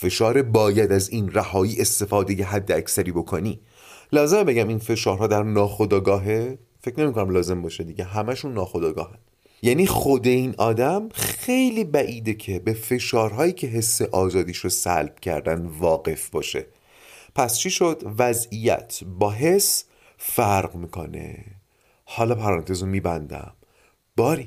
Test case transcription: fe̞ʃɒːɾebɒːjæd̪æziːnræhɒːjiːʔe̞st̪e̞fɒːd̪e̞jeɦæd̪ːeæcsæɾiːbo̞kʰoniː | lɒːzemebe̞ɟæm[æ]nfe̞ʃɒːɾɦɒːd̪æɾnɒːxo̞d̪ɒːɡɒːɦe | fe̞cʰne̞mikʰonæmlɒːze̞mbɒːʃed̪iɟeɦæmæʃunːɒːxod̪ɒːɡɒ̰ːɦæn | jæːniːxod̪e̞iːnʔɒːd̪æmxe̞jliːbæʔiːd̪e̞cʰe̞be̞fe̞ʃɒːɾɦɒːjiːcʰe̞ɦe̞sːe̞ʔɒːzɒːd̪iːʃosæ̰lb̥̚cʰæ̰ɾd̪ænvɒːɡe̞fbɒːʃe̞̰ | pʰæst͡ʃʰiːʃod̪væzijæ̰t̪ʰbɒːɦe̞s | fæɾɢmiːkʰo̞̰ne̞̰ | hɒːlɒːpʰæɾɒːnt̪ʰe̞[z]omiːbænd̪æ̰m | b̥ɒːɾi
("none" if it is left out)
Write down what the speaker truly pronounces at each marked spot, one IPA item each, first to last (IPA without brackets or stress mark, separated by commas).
i, z